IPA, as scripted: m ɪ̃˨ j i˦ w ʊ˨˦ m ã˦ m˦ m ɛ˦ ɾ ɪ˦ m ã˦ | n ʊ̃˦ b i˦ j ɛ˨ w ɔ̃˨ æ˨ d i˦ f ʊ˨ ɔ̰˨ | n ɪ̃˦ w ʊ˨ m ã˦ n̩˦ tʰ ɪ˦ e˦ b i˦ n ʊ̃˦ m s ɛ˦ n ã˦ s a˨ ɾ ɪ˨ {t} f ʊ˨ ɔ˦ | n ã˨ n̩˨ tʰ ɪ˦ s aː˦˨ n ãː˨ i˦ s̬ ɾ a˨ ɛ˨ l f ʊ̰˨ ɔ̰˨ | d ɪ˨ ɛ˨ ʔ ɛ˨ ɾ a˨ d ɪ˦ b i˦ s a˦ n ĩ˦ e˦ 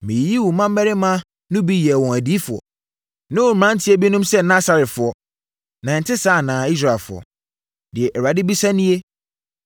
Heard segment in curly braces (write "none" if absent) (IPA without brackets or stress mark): t